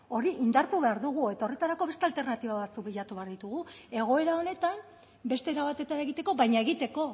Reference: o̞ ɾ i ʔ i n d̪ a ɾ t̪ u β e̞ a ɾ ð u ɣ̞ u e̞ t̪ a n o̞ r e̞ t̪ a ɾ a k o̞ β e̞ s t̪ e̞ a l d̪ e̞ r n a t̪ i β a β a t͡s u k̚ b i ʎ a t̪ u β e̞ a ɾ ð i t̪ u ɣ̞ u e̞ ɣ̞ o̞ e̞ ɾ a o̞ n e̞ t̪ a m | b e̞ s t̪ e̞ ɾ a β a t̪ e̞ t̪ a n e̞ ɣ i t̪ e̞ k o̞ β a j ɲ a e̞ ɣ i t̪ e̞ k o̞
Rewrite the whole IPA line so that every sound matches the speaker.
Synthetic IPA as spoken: o̞ ɾ i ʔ i n d̪ a ɾ t̪ u β e̞ a ɾ ð u ɣ̞ u e̞ t̪ a o̞ r e̞ t̪ a ɾ a k o̞ β e̞ s t̪ e̞ a l t̪ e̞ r n a t̪ i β a β a t͡s u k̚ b i ʎ a t̪ u β e̞ a ɾ ð i t̪ u ɣ̞ u e̞ ɣ̞ o̞ e̞ ɾ a o̞ n e̞ t̪ a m | b e̞ s t̪ e̞ ɾ a β a t̪ e̞ t̪ a n e̞ ɣ i t̪ e̞ k o̞ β a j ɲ a e̞ ɣ i t̪ e̞ k o̞